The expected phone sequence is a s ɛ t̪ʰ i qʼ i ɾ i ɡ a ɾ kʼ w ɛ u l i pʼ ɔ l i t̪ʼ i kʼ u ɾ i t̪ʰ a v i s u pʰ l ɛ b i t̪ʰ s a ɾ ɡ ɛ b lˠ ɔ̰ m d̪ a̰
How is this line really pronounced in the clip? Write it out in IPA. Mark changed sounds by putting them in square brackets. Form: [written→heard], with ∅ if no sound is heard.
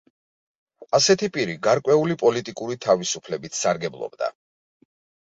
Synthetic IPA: a s ɛ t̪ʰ i [qʼ→pʼ] i ɾ i ɡ a ɾ kʼ w ɛ u l i pʼ ɔ l i t̪ʼ i kʼ u ɾ i t̪ʰ a v i s u pʰ l ɛ b i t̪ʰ s a ɾ ɡ ɛ b lˠ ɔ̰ [m→b] d̪ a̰